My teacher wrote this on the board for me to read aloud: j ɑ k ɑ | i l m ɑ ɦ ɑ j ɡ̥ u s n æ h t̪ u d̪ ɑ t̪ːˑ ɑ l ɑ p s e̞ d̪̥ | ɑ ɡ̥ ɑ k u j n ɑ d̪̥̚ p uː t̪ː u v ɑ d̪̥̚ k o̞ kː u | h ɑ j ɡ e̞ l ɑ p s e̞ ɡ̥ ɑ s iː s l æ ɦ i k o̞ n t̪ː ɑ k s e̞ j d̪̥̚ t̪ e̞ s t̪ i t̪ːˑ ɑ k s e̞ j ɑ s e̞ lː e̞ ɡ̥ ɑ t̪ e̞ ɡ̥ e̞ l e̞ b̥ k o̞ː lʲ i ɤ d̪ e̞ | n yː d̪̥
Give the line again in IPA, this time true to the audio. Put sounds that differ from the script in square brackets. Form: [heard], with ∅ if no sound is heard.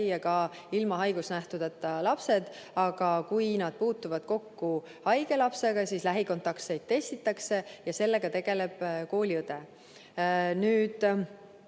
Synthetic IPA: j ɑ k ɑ | i l m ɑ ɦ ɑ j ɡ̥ u s n æ h t̪ u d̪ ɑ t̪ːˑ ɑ l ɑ p s e̞ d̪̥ | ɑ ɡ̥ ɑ k u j n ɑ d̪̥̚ p uː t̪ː u v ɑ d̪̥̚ k o̞ kː u | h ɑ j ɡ e̞ l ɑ p s e̞ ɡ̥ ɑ s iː s l æ ɦ i k o̞ n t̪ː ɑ k s e̞ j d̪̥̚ t̪ e̞ s t̪ i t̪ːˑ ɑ k s e̞ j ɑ s e̞ lː e̞ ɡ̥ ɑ t̪ e̞ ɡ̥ e̞ l e̞ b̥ k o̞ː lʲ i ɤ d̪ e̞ | n yː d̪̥

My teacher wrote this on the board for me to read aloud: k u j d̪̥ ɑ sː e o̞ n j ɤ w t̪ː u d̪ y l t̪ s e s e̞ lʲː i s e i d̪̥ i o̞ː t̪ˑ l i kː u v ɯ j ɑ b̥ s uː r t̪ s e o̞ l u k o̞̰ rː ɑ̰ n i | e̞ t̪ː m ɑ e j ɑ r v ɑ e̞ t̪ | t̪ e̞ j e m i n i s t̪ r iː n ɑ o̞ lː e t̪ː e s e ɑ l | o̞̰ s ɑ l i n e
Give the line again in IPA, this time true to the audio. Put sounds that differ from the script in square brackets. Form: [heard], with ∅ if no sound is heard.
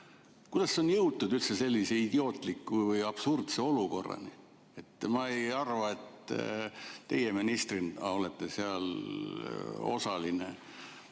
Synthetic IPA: k u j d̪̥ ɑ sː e o̞ n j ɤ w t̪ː u d̪ y l t̪ s e s e̞ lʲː i s e i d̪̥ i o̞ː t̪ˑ l i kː u v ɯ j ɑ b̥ s [u] r t̪ s e o̞ l u k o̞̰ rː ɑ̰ n i | e̞ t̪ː m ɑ e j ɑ r v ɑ e̞ t̪ | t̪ e̞ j e m i n i s t̪ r [i] n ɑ o̞ [l] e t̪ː e s e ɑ l | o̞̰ s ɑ l i n e

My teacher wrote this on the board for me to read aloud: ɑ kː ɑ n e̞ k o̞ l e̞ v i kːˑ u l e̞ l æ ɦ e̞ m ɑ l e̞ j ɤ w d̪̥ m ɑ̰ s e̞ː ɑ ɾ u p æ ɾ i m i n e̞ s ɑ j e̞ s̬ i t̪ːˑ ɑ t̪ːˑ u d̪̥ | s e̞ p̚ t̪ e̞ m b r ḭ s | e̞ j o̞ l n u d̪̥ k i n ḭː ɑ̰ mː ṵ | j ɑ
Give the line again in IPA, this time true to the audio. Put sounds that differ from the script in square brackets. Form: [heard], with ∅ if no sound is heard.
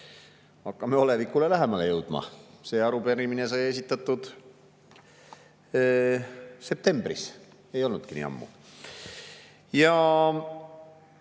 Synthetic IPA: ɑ kː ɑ [m] e̞ [∅] o̞ l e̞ v i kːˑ u l e̞ l æ ɦ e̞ m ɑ l e̞ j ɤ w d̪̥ m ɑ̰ s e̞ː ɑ ɾ u p [e] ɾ i m i n e̞ s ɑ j e̞ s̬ i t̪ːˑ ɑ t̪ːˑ u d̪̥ | s e̞ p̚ t̪ e̞ m b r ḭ s | e̞ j o̞ l n u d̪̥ k i n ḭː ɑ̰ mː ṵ | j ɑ

